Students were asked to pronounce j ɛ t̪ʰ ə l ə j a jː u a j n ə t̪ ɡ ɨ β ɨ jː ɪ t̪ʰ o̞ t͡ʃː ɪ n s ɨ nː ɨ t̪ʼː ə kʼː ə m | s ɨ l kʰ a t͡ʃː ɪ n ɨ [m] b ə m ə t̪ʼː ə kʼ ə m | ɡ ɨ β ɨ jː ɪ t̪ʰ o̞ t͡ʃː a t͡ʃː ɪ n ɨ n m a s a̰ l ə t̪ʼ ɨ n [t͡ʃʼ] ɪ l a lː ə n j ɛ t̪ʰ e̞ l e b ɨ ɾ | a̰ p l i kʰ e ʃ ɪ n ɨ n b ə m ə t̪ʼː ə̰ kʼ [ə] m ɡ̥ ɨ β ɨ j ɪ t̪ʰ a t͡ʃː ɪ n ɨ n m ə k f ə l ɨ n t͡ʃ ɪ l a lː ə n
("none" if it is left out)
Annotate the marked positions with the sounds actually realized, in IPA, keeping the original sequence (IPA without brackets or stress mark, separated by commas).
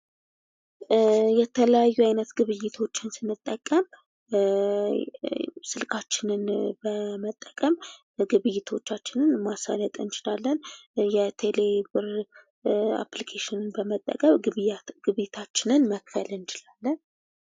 n, t͡ʃ, ə